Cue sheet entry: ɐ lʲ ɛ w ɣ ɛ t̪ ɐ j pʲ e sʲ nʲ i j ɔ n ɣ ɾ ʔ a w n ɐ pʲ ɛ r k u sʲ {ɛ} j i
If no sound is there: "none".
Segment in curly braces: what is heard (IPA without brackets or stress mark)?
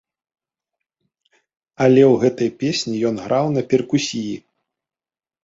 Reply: i